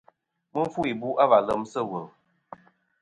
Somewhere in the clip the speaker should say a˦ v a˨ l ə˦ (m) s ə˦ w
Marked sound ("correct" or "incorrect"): correct